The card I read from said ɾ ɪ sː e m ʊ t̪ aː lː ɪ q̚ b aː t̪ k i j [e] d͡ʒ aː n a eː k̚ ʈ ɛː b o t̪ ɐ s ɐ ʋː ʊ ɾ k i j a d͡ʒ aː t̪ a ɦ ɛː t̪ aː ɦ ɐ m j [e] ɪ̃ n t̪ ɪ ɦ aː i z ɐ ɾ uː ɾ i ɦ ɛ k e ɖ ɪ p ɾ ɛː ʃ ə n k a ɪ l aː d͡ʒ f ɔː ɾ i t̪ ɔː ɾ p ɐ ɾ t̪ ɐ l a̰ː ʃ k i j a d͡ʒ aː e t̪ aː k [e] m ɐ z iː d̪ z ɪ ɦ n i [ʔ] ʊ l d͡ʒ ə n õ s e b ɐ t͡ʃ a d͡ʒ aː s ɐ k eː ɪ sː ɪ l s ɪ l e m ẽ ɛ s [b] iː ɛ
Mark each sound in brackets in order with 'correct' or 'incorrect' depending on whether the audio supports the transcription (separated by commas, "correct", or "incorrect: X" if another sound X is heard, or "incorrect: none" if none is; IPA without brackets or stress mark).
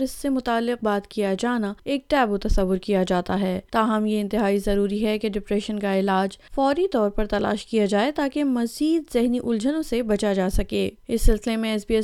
incorrect: a, correct, correct, correct, correct